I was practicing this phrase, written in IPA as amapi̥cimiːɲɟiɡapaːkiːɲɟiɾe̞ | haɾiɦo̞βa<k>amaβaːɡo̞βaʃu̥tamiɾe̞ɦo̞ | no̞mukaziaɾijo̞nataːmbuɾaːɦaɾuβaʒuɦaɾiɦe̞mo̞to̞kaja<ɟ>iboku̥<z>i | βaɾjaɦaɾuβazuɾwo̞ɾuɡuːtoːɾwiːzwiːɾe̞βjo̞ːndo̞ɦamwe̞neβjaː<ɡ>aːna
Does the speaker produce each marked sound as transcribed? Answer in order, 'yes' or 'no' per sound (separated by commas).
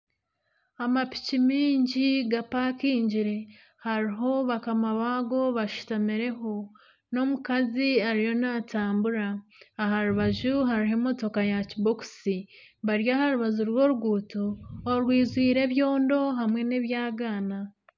yes, no, no, yes